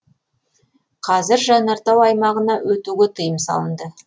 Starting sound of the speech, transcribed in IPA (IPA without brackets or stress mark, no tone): qʰ